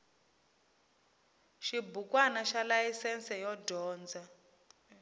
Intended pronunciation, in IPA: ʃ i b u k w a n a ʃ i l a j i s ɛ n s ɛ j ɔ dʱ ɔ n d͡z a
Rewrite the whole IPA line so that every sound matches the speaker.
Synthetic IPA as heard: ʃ i b u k w a n a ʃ a l a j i s ɛ n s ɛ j ɔ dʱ ɔː n d͡z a

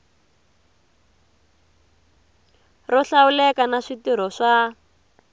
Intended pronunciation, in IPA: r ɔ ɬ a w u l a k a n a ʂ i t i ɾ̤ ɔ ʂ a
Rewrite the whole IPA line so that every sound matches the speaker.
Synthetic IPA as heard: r ɔ ɬ a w u l ɛ k a n a ʂ i t i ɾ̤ ɔ ʂ a

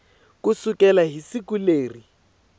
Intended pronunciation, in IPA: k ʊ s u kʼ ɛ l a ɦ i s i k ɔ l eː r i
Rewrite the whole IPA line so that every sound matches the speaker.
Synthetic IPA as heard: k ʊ s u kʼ ɛ l a ɦ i s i k u l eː r i

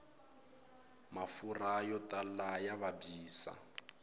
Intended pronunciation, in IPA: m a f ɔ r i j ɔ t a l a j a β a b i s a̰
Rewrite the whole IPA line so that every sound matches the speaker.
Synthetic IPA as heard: m a f u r a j ɔ t a l a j a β a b iː s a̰

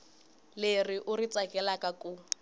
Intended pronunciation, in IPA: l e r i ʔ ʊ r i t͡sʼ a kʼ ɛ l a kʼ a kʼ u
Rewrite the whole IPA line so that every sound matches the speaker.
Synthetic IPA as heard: l e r i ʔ ʊ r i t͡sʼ a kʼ ɛ l a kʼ a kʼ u

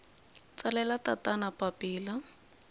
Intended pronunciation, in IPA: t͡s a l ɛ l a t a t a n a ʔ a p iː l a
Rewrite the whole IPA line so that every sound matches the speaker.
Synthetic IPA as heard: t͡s a l ɛ l a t a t a n a p a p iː l a

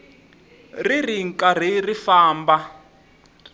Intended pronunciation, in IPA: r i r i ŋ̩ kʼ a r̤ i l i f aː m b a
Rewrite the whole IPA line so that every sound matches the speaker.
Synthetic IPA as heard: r i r i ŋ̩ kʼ a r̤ i r i f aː m b a

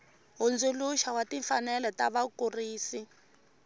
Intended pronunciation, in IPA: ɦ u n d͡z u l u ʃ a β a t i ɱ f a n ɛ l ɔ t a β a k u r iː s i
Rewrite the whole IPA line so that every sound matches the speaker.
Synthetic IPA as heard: ɦ u n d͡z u l u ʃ a w a t i ɱ f a n ɛ l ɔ t a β a k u r iː s i

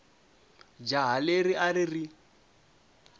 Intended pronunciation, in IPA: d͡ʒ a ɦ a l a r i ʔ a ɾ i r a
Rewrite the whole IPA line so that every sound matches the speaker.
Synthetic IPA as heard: d͡ʒ a ɦ a l e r i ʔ a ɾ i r i

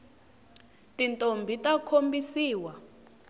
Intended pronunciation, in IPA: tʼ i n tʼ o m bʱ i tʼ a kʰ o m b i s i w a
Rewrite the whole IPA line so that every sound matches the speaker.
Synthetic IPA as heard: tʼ i n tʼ o m bʱ i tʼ a kʰ o m b i s iː w a

